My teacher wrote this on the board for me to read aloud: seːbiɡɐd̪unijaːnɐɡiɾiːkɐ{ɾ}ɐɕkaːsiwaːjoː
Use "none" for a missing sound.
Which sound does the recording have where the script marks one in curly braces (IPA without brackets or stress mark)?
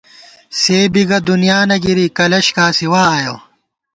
l